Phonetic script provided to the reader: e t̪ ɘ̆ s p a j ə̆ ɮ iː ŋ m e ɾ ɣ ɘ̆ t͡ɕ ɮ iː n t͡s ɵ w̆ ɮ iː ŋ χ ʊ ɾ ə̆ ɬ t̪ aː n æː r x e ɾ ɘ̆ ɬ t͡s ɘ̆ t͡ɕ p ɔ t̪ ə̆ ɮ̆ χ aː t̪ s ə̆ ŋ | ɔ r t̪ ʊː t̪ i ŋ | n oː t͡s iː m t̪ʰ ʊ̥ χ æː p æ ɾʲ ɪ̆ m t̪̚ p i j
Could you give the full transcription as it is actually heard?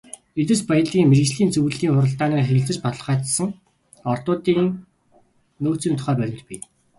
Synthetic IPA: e t̪ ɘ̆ s p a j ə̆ ɮ iː ŋ m e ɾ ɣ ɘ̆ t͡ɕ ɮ iː n t͡s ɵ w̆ ɮ iː ŋ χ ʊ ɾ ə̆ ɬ t̪ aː n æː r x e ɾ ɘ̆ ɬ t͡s ɘ̆ t͡ɕ p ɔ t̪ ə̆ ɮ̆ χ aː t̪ s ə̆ ŋ | ɔ r t̪ ʊː t̪ iː ŋ | n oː t͡s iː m t̪ʰ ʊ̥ χ æː p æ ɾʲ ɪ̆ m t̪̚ p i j